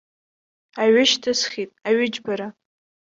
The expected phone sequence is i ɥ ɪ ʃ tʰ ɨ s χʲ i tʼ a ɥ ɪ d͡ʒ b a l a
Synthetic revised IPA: a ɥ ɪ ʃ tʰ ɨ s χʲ i tʼ a ɥ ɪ d͡ʒ b a ɾ a